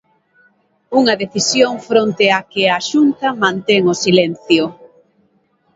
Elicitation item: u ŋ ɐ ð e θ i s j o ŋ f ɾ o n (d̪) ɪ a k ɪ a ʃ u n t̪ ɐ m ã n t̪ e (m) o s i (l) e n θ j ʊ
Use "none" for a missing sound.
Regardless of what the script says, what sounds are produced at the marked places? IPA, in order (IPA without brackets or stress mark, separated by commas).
t̪, ŋ, l